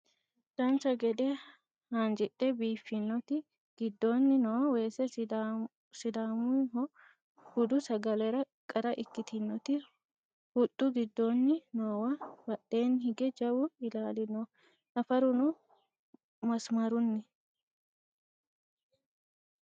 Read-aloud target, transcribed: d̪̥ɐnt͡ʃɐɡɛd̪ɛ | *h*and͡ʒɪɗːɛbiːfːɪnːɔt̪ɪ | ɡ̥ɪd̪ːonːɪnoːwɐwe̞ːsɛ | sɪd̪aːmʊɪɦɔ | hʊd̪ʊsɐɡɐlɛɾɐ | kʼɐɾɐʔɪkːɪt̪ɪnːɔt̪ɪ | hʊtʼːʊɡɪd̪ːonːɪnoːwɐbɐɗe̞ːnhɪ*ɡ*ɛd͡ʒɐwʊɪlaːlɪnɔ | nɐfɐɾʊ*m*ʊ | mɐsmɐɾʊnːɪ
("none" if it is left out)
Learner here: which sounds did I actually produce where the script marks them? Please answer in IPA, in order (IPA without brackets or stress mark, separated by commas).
h, ɡ, n